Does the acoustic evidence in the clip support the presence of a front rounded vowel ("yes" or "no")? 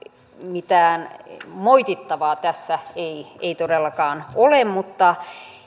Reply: no